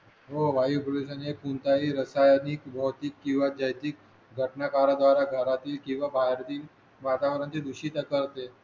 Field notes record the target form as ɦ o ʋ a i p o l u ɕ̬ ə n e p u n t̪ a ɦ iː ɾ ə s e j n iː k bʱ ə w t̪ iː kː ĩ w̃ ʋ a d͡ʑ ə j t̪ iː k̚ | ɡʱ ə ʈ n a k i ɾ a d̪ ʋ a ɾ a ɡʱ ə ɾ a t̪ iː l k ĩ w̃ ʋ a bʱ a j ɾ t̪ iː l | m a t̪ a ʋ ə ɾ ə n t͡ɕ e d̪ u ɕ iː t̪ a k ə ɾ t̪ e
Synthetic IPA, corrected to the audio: ɦ o ʋ a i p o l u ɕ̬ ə n e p u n t̪ a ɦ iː ɾ ə s a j n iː k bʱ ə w t̪ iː kː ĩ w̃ ʋ a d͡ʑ ə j t̪ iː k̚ | ɡʱ ə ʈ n a k a ɾ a d̪ ʋ a ɾ a ɡʱ ə ɾ a t̪ iː l k ĩ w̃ ʋ a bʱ a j ɾ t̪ iː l | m a t̪ a ʋ ə ɾ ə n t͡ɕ e d̪ u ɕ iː t̪ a k ə ɾ t̪ e